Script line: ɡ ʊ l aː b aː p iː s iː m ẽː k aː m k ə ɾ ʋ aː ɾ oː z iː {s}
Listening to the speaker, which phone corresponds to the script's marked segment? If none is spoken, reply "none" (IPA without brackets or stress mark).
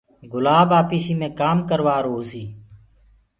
none